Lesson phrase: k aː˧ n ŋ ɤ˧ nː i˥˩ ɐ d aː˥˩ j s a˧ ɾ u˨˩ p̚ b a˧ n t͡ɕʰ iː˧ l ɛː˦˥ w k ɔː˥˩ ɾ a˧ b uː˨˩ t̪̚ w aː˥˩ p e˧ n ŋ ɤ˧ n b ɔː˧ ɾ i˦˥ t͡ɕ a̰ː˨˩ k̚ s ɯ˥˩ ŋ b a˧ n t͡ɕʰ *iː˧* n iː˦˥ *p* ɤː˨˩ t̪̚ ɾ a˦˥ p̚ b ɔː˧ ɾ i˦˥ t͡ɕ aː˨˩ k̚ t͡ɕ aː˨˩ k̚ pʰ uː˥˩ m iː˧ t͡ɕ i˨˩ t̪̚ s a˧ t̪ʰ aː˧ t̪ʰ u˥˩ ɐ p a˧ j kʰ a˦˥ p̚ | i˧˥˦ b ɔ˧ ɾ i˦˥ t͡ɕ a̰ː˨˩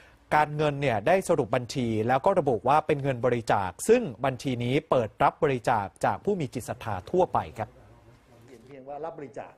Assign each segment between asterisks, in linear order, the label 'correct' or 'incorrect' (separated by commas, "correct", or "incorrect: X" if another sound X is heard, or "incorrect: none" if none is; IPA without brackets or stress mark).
correct, correct